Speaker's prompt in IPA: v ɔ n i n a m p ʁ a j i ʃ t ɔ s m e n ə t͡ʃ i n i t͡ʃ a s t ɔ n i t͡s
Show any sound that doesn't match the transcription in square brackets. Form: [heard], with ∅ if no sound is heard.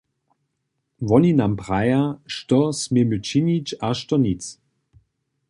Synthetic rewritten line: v ɔ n i n a m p ʁ a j [a] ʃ t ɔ s m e [m] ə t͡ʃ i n i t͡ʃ a [ʃ] t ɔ n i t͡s